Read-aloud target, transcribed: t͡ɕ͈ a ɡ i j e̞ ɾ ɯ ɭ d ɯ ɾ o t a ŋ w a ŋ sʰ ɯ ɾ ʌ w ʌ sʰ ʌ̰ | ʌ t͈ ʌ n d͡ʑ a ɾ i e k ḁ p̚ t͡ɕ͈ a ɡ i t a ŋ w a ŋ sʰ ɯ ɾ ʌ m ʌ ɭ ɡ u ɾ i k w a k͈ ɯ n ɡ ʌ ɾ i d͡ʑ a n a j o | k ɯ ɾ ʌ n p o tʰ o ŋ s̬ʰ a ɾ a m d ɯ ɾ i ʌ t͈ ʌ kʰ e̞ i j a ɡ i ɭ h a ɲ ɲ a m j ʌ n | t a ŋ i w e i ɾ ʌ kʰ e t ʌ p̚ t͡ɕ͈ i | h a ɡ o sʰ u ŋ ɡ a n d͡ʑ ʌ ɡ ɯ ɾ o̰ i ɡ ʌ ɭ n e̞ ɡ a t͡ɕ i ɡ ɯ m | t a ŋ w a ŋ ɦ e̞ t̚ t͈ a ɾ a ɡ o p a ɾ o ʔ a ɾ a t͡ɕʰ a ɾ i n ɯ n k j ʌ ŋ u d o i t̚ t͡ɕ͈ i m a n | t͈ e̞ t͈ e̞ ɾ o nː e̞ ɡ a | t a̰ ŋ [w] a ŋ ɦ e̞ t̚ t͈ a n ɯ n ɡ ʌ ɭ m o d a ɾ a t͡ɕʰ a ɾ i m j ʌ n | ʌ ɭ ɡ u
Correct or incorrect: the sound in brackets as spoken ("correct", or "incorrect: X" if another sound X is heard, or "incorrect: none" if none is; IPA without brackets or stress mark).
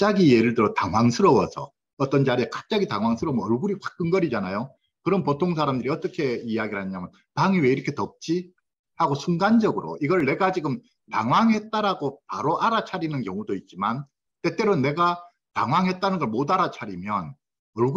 correct